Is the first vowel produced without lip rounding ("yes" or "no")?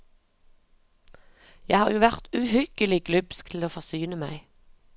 yes